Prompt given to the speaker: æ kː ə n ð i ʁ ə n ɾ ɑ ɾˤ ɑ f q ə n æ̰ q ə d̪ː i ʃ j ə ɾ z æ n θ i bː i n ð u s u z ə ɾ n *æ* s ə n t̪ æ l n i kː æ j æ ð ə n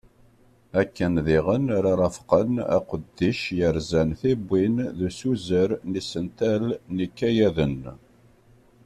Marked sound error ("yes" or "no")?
yes